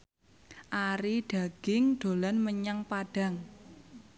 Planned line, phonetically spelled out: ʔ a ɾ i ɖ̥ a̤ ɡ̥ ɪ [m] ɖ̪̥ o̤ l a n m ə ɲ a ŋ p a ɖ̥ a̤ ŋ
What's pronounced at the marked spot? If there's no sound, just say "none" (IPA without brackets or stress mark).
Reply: ŋ